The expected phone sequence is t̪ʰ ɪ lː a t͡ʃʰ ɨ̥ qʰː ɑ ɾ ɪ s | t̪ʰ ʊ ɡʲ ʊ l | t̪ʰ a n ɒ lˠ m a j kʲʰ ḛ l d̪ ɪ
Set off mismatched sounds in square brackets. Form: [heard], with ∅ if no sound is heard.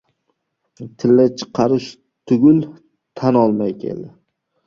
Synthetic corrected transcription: t̪ʰ ɪ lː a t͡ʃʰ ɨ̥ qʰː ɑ ɾ ɪ [ʃ] | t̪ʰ ʊ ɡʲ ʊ l | t̪ʰ a n ɒ lˠ m a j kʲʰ ḛ l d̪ ɪ